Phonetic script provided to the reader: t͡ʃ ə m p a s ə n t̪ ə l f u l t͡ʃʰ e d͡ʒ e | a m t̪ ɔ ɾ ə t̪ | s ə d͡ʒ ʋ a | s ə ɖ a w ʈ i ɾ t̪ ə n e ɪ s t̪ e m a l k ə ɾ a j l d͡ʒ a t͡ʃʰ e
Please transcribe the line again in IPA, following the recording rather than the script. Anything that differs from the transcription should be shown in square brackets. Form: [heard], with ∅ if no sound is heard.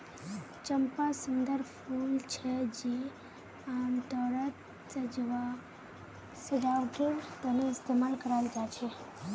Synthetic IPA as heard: t͡ʃ ə m p a s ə n [d̪] ə [ɾ] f u l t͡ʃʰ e d͡ʒ e | a m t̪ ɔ ɾ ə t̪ | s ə d͡ʒ ʋ a | s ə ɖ a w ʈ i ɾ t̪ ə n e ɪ s t̪ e m a l k ə ɾ a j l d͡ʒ a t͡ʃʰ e

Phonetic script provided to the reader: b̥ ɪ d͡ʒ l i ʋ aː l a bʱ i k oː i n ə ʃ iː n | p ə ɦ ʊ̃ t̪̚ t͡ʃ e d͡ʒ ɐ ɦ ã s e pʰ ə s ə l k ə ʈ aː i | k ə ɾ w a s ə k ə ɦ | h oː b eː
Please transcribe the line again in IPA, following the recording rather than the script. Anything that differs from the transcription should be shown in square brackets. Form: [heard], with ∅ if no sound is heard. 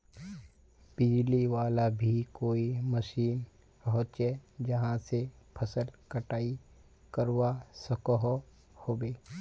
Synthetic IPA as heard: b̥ ɪ d͡ʒ l i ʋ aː l a bʱ i k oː i [m] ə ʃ iː n | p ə ɦ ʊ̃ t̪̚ t͡ʃ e d͡ʒ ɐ ɦ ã s e pʰ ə s ə l k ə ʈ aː i | k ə ɾ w a s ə k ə ɦ | h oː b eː

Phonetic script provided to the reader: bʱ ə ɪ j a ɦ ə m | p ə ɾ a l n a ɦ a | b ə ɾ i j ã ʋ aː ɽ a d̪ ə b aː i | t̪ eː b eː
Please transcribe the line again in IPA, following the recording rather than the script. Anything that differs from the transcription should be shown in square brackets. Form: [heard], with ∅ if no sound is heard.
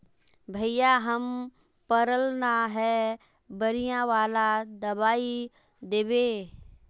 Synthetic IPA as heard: bʱ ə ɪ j a ɦ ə m | p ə ɾ [ə] l n a ɦ [ɛ] | b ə ɾ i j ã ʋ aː [l] a d̪ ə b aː i | [d̪] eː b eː

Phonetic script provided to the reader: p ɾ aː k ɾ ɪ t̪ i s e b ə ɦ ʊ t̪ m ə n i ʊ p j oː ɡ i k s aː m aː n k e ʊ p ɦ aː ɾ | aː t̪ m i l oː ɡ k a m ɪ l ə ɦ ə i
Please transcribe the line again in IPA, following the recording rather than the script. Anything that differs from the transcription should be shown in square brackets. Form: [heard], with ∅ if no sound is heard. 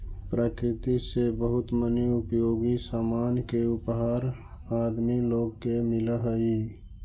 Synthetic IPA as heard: p ɾ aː k ɾ ɪ t̪ i s e b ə ɦ ʊ t̪ m ə n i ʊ p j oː ɡ i [∅] s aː m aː n k e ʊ p ɦ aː ɾ | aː [d̪] m i l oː ɡ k [e] m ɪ l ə ɦ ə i

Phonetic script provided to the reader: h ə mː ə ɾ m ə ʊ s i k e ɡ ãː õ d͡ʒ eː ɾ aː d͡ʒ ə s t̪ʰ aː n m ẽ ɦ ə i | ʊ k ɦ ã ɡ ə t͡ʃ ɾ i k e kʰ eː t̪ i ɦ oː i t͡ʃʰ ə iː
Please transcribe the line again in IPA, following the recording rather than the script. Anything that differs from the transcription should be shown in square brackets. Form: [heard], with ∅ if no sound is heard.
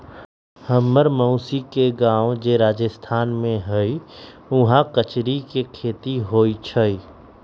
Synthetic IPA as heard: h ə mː ə ɾ m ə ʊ s i k e ɡ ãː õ d͡ʒ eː ɾ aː d͡ʒ ə s t̪ʰ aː n m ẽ ɦ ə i | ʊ [∅] ɦ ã [k] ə t͡ʃ ɾ i k e kʰ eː t̪ i ɦ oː i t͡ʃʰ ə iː

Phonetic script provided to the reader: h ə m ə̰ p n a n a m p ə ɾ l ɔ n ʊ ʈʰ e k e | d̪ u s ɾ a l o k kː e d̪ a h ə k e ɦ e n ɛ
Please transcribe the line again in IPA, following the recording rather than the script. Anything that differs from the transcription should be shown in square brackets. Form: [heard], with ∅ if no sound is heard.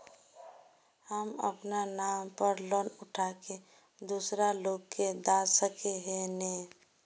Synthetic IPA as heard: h ə m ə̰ p n a n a m p ə ɾ l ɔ n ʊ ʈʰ [a] k e | d̪ u s ɾ a l o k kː e d̪ a [s] ə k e ɦ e n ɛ

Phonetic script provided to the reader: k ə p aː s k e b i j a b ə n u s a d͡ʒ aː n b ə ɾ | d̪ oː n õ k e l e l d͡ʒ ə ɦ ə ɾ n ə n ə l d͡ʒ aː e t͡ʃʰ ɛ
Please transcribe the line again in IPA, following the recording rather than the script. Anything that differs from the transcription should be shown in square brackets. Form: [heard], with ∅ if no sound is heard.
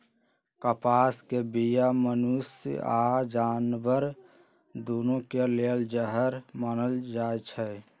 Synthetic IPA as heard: k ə p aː s k e b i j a [m] ə n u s a d͡ʒ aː n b ə ɾ | d̪ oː n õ k e l e l d͡ʒ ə ɦ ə ɾ [m] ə n ə l d͡ʒ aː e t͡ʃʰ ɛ

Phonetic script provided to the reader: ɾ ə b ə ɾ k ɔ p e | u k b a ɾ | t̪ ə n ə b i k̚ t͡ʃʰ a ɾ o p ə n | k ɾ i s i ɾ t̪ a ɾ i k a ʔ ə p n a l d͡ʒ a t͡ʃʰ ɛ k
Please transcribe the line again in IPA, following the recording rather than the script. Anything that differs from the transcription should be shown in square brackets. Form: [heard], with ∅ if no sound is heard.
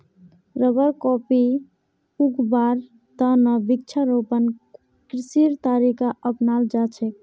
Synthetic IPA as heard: ɾ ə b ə ɾ k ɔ p [i] | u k b a ɾ | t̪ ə n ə b i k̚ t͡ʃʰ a ɾ o p ə n | k ɾ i s i ɾ t̪ a ɾ i k a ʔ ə p n a l d͡ʒ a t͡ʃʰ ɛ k

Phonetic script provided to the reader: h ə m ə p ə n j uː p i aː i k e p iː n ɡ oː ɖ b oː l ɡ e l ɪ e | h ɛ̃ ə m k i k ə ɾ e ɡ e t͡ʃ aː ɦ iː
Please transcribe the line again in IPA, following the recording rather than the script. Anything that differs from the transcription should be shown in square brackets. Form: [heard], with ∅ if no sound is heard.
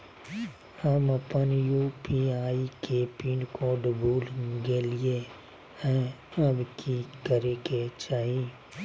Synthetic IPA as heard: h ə m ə p ə n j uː p i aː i k e p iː n [k] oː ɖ b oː l ɡ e l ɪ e | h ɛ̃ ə [b] k i k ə ɾ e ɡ e t͡ʃ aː ɦ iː

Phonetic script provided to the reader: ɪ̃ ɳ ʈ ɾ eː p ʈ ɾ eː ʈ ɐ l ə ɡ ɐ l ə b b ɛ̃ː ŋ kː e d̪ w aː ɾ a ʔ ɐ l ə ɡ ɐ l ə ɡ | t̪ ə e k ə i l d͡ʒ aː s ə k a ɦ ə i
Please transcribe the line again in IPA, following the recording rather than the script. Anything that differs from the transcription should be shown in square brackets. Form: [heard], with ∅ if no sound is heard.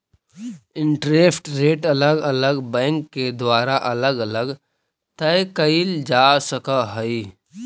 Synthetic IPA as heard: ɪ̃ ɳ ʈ ɾ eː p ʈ ɾ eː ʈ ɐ l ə ɡ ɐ l ə [ɡ] b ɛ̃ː ŋ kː e d̪ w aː ɾ a ʔ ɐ l ə ɡ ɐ l ə ɡ | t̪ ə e k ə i l d͡ʒ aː s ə k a ɦ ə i

